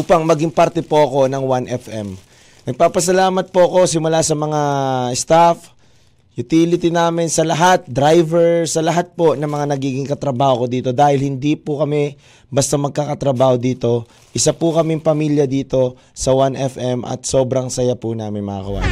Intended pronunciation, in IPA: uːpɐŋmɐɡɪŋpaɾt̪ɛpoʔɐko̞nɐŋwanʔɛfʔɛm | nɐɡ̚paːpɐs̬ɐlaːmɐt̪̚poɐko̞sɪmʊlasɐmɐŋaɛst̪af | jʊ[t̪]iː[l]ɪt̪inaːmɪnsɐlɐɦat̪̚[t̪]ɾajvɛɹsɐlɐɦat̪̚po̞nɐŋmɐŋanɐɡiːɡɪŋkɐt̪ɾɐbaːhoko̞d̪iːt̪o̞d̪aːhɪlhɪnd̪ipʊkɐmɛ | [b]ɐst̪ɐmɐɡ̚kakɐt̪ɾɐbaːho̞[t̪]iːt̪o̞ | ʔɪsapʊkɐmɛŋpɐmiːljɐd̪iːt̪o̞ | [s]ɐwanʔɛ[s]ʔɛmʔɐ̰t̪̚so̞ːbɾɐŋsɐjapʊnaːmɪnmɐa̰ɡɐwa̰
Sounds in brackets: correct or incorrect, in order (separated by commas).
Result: correct, correct, incorrect, correct, incorrect, correct, incorrect